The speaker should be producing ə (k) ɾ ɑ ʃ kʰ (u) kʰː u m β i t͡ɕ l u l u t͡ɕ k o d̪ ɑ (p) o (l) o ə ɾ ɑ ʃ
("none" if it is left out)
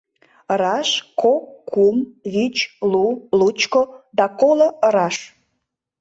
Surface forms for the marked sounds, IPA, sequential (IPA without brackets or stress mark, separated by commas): none, o, k, l